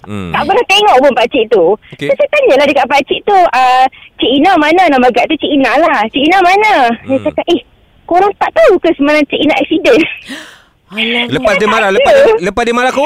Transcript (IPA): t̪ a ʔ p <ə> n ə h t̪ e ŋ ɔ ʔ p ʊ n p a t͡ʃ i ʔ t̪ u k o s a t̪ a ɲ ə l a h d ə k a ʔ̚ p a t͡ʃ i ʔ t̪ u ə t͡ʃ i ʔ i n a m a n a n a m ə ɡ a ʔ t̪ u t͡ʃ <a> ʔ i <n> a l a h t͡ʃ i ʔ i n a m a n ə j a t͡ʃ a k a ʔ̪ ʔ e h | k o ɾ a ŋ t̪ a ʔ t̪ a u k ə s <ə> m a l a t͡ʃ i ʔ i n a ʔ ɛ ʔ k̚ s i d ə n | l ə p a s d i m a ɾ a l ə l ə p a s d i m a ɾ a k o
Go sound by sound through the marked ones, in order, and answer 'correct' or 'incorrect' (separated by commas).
correct, incorrect, correct, correct